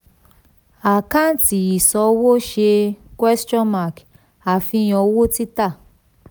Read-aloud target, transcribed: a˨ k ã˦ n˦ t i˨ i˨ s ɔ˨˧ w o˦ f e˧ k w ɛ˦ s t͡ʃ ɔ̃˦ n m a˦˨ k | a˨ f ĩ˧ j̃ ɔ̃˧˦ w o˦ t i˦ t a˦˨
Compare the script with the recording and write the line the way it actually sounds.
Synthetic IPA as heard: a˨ k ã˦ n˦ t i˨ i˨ s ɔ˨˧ w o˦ ʃ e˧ k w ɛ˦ s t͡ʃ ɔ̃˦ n m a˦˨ k | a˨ f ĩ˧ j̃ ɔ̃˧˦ w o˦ t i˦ t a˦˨